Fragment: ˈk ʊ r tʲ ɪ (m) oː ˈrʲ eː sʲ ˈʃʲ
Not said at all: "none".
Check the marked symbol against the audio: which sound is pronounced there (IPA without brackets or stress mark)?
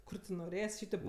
n